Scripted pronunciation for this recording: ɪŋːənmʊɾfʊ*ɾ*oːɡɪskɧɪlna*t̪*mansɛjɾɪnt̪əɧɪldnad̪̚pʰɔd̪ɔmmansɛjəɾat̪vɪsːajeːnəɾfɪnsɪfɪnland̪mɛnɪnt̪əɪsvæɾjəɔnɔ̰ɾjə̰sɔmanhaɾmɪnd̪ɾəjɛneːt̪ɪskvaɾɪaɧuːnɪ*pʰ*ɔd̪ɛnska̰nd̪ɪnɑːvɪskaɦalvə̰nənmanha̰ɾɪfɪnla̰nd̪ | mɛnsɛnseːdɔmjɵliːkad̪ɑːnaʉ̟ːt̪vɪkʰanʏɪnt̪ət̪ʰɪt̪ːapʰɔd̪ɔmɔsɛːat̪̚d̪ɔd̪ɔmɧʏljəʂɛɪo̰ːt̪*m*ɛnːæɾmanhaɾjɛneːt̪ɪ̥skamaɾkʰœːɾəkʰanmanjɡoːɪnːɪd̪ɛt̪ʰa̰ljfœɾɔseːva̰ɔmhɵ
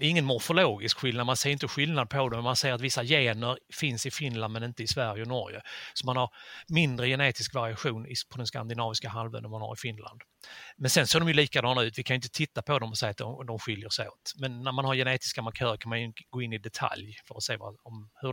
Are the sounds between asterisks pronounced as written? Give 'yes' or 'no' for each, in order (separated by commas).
no, no, yes, yes